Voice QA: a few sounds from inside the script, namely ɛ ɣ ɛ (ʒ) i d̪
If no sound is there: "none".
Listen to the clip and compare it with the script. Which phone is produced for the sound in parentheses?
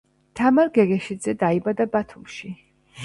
ʃ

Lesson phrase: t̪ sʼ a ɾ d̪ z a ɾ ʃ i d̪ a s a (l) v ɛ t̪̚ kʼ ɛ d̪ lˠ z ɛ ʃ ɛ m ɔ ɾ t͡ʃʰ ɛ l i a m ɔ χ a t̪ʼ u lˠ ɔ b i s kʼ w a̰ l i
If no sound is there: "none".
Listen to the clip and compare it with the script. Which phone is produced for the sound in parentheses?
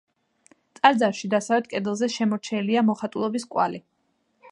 none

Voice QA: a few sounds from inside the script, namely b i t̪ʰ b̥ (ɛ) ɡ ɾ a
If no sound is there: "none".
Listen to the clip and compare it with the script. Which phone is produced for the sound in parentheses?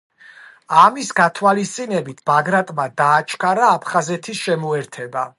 a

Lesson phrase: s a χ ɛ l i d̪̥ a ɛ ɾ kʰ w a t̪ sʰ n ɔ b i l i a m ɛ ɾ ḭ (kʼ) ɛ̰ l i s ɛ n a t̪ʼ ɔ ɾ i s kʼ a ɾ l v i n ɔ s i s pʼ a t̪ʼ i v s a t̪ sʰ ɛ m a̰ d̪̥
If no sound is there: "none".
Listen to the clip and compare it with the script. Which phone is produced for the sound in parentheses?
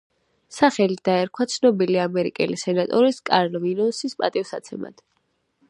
kʼ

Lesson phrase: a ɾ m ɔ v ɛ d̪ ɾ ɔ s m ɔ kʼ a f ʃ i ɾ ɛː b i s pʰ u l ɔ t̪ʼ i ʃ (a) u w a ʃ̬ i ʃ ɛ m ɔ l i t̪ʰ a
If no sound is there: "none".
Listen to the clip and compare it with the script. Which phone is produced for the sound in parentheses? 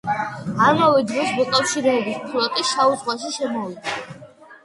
a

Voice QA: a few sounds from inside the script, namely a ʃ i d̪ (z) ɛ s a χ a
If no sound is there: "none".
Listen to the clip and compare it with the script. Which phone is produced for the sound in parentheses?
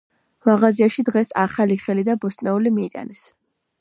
ʁ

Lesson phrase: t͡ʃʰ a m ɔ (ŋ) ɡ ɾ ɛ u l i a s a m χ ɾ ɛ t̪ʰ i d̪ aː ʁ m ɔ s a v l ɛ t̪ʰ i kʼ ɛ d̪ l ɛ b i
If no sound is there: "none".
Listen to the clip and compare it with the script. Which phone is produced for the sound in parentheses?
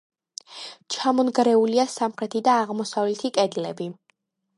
n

